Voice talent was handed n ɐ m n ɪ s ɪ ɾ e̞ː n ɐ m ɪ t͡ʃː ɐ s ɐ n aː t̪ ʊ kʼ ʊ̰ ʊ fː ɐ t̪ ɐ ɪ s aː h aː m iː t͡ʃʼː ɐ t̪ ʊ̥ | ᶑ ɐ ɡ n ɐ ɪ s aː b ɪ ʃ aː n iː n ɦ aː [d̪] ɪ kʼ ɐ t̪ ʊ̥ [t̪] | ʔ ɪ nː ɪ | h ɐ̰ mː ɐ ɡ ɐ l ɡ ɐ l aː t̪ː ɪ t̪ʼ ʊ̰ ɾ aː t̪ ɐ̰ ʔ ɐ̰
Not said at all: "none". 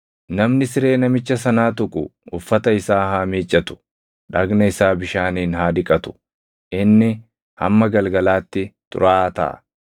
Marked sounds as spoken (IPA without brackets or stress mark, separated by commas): d̪, none